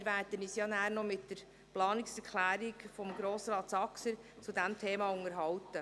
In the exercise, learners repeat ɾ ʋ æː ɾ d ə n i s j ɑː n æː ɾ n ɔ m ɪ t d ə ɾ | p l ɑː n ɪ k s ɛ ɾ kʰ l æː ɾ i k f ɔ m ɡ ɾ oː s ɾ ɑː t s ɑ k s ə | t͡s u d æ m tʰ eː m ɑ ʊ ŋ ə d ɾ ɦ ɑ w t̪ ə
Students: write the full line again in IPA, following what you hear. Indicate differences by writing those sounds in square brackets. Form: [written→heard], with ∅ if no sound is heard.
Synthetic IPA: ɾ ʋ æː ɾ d ə n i s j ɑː n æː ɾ n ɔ m ɪ t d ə ɾ | p l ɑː n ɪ k s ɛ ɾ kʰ l æː ɾ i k f ɔ m ɡ ɾ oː s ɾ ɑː t s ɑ k s ə | t͡s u d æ m tʰ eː m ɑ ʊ ŋ ə [d→∅] ɾ ɦ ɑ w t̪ ə

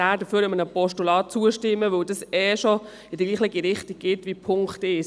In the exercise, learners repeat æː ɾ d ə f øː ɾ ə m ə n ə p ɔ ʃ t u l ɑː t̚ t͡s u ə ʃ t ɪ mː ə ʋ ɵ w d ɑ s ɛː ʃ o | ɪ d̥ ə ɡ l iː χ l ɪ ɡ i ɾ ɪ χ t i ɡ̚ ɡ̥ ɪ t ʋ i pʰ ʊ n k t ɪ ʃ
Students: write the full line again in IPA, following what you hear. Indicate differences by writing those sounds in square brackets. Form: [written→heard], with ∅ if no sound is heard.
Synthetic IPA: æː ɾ d ə f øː ɾ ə m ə n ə p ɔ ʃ t u l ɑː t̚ t͡s u ə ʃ t ɪ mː ə ʋ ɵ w d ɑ s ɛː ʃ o | ɪ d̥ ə ɡ l iː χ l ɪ ɡ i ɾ ɪ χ t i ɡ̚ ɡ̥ ɪ t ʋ i pʰ ʊ [n→ŋ] k t ɪ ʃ

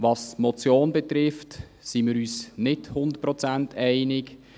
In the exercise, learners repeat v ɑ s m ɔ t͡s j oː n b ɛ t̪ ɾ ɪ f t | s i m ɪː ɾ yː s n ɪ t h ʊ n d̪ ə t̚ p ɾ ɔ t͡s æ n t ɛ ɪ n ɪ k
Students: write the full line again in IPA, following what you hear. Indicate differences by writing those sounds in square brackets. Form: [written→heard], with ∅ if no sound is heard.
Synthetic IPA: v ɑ s m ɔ t͡s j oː n b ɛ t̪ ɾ ɪ f t | s i m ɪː ɾ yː s n ɪ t h ʊ n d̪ ə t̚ p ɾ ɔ t͡s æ n t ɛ ɪ n ɪ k

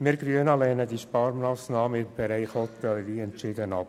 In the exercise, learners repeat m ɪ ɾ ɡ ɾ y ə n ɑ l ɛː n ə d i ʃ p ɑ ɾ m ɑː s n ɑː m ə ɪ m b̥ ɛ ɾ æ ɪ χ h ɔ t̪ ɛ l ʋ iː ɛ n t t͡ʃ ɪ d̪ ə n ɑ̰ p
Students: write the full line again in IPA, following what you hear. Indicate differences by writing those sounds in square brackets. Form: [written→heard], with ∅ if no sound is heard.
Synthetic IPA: m ɪ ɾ ɡ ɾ y ə n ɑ l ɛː n ə d i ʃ p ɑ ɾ m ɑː s n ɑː m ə ɪ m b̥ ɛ ɾ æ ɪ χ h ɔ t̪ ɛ l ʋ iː ɛ n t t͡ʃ ɪ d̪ ə n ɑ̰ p

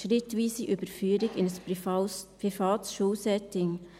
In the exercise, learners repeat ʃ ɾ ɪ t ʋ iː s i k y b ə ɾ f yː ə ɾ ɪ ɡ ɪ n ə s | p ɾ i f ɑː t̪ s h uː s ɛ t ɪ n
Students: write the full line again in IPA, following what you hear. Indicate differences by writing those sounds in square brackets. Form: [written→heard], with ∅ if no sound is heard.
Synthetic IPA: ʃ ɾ ɪ t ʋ iː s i [k→ʔ] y b ə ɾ f yː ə ɾ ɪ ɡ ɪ n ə s | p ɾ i f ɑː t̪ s [h→ʃ] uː s ɛ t ɪ [n→ŋ]

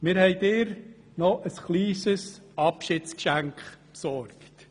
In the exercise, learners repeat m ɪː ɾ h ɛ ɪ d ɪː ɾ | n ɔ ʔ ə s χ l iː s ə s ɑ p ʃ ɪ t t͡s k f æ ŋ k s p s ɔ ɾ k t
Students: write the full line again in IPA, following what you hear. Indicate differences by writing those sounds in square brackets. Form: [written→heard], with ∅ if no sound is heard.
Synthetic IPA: m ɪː ɾ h ɛ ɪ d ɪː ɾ | n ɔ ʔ ə s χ l iː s ə s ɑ p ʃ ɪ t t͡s k [f→ʃ] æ ŋ k [s→χ] p s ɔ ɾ k t

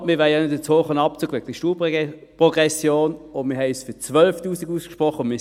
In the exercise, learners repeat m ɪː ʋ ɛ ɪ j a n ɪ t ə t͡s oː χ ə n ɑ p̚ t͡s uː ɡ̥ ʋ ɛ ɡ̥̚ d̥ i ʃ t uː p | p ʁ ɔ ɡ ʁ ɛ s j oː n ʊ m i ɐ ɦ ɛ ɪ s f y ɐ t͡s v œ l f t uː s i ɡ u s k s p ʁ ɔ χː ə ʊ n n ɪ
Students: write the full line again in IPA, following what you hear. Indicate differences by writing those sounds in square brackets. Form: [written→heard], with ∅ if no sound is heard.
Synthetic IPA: m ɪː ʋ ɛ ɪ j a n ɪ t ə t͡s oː χ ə n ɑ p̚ t͡s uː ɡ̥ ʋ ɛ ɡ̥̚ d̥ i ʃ t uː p | p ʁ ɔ ɡ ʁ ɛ s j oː n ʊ m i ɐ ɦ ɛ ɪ s f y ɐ t͡s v œ l f t uː s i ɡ u s k [s→ʃ] p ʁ ɔ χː ə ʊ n [n→m] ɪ

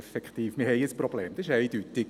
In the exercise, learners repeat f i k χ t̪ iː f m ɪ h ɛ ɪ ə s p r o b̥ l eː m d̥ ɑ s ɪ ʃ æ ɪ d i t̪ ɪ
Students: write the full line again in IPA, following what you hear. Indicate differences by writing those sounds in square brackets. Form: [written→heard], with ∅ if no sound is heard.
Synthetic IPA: f [i→ɛ] k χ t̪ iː f m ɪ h ɛ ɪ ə s p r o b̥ l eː m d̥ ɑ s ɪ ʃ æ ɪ d [i→y] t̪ ɪ

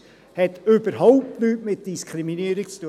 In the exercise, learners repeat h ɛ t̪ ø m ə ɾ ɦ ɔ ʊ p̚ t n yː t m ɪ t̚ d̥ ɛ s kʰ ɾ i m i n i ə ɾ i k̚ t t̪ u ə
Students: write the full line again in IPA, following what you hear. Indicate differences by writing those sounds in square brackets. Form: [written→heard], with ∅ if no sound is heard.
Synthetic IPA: h ɛ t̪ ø [m→b] ə ɾ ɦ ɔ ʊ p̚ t n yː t m ɪ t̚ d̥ [ɛ→i] s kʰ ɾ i m i n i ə ɾ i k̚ [t→t͡s] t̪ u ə

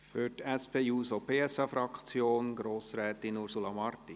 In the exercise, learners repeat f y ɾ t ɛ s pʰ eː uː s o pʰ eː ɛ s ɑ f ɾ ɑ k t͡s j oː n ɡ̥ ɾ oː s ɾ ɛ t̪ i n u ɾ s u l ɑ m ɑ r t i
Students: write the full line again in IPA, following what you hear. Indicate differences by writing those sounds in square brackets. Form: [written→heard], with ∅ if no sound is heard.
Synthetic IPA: f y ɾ t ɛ s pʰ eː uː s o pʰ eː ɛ s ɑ f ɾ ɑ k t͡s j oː n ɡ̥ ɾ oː s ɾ [ɛ→ɛː] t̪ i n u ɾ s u l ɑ m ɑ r t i

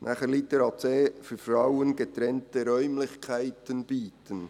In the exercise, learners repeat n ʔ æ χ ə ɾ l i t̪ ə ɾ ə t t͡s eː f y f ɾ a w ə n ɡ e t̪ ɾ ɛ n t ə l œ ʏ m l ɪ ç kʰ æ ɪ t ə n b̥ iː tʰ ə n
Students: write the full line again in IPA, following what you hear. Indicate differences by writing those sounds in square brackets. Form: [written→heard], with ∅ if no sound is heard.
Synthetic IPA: n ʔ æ χ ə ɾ l i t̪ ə ɾ [ə→ɑ] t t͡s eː f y f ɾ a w ə n ɡ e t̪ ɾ ɛ n t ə [l→ɾ] œ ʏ m l ɪ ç kʰ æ ɪ t ə n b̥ iː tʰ ə n

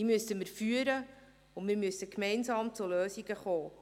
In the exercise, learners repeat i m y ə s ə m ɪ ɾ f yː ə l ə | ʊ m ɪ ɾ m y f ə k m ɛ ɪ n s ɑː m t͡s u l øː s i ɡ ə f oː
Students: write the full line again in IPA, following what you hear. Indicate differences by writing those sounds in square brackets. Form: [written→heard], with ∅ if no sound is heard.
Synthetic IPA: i m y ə s ə m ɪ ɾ f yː ə [l→ɾ] ə | ʊ m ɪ ɾ m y [f→s] ə k m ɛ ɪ n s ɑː m t͡s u l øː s i ɡ ə [f→χ] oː

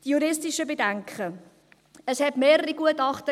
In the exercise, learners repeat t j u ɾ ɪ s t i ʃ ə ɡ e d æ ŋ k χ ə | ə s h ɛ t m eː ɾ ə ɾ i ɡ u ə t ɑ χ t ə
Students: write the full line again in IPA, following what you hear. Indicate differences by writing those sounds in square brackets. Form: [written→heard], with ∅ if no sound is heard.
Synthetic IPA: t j u ɾ ɪ s t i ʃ ə [ɡ→b] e d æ ŋ k χ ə | ə s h ɛ t m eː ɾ ə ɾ i ɡ u ə t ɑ χ t ə

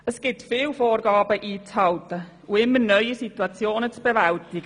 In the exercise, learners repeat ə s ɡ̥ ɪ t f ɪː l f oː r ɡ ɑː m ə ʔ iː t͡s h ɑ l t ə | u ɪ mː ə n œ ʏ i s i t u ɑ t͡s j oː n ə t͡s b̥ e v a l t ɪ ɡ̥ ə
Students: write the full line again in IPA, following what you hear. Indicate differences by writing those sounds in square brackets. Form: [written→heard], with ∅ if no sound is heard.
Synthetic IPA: ə s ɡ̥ ɪ t f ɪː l f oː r ɡ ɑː [m→b] ə ʔ iː t͡s h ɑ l t ə | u ɪ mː ə n œ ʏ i s i t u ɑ t͡s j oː n ə t͡s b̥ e v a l t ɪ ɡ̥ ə

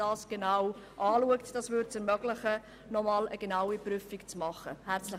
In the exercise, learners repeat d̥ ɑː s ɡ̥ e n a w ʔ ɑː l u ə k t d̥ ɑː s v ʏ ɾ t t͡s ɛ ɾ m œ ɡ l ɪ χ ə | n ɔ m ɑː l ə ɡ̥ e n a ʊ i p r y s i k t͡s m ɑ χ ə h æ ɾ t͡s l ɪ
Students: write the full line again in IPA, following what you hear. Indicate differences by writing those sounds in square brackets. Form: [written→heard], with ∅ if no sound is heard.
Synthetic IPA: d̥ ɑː s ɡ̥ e n a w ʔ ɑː l u ə k t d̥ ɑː s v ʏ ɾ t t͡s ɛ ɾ m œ ɡ l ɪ χ ə | n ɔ m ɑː l ə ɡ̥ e n a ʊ i p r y [s→f] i k t͡s m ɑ χ ə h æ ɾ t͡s l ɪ

